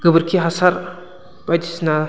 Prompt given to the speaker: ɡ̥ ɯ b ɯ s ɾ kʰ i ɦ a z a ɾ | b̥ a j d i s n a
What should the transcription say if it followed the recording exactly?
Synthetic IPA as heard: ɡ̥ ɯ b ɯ ɾ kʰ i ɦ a s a ɾ | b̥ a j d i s n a